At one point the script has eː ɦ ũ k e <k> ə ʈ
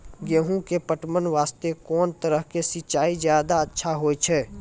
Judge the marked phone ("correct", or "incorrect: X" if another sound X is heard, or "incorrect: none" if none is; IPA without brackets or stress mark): incorrect: p